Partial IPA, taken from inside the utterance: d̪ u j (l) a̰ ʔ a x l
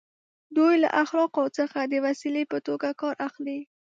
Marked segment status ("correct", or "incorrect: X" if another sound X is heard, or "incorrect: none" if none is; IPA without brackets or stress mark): correct